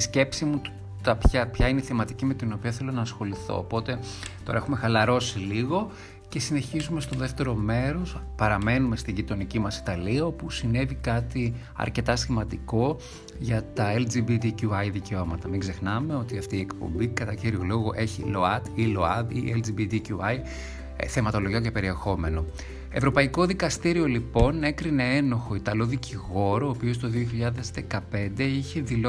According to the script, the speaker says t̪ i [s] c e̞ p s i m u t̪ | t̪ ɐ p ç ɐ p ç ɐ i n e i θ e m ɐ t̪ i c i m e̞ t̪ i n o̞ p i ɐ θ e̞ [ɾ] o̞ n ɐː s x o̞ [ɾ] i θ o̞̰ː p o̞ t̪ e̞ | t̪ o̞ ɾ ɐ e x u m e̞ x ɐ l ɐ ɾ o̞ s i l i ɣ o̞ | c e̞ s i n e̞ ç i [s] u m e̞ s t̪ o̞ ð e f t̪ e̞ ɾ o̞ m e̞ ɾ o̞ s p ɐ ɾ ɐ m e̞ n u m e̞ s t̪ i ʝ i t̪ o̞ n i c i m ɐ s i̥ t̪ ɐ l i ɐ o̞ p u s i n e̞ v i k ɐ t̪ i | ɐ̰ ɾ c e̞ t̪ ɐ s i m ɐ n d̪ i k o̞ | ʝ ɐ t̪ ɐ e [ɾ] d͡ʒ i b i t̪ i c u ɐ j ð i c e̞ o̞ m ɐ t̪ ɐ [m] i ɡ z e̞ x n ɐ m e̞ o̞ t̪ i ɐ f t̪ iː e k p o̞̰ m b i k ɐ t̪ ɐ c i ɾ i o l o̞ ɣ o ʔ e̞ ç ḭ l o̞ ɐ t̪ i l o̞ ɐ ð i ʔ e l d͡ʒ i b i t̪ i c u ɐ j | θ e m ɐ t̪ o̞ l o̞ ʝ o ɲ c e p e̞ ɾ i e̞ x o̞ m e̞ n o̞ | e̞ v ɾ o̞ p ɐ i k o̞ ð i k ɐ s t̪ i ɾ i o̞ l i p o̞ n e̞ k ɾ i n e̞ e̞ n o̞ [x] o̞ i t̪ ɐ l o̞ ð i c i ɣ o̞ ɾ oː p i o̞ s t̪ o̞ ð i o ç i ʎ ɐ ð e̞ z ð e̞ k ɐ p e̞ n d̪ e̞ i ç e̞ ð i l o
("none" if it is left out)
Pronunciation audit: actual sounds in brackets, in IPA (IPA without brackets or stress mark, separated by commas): s, l, l, z, l, m, x